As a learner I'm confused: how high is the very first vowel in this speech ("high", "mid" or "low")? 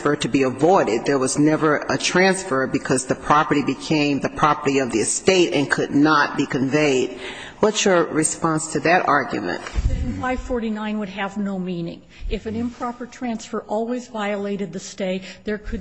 mid